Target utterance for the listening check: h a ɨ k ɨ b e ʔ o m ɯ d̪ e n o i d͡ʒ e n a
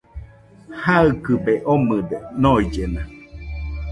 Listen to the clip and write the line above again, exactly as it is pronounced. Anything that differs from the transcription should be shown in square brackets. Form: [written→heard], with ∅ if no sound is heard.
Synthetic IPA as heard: h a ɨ k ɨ b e ʔ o m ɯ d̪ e n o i d͡ʒ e n a